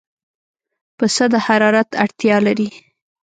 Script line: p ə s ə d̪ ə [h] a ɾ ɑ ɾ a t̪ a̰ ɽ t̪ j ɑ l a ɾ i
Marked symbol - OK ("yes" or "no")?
yes